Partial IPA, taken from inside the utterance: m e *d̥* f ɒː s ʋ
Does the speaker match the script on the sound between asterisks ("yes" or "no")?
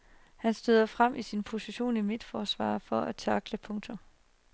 yes